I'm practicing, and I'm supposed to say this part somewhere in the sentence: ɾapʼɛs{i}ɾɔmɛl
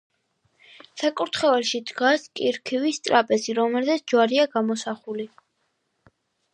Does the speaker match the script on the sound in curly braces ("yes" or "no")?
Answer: yes